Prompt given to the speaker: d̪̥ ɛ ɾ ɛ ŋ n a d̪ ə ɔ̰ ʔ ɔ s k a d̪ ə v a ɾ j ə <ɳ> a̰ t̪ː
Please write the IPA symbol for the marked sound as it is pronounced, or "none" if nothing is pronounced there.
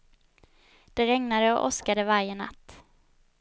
n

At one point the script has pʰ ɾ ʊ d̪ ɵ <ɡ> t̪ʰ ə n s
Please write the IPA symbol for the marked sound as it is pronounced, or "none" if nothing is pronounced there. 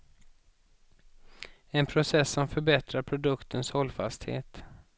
k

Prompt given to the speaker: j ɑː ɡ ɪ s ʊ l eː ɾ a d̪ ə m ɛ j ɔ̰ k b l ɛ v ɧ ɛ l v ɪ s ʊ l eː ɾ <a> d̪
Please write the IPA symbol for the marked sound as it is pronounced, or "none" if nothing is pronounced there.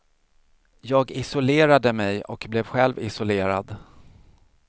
a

